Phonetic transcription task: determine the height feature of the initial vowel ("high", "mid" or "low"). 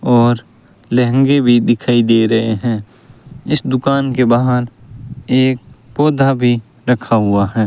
mid